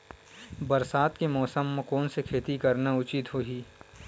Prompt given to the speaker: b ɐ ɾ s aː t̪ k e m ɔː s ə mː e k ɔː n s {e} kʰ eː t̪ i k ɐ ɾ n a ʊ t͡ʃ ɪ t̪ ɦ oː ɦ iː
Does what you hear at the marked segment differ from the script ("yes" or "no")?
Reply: no